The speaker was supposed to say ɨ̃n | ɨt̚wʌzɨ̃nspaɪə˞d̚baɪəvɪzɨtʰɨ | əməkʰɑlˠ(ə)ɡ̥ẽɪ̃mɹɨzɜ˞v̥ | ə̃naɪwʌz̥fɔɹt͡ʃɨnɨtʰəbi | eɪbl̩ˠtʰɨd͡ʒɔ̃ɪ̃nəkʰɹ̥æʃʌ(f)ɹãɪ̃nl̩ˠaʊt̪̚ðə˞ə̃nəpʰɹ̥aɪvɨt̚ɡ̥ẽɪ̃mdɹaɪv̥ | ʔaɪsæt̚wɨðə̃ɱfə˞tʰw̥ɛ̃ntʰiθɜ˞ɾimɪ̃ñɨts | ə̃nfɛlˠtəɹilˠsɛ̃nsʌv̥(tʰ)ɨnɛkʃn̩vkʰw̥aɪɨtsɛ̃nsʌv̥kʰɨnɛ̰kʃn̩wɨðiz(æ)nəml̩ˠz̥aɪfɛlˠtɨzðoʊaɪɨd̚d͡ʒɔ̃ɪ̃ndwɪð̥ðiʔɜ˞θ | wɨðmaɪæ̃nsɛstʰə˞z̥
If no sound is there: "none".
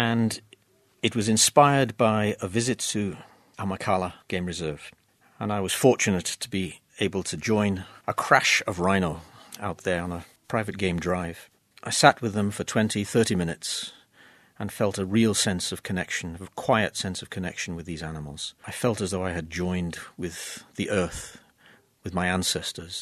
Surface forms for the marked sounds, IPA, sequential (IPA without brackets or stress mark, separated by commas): ə, v, kʰ, æ